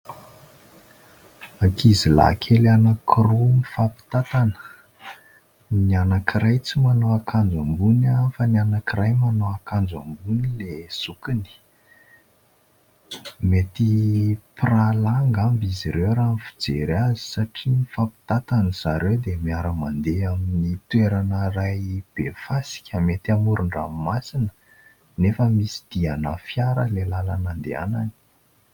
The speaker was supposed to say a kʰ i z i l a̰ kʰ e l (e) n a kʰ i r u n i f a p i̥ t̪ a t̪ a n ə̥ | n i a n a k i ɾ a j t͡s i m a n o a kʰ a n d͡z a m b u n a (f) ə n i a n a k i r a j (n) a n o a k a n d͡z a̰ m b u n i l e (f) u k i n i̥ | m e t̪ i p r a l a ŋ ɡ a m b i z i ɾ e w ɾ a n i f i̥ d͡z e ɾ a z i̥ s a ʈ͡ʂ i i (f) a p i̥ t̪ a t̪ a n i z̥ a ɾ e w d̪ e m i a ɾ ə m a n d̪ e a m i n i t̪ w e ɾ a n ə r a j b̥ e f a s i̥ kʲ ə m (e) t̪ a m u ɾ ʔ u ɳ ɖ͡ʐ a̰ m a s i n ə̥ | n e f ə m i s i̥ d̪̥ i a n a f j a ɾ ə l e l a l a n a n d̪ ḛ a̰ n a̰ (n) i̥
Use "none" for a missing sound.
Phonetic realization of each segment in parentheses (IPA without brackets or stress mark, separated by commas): a, f, m, s, f, e, n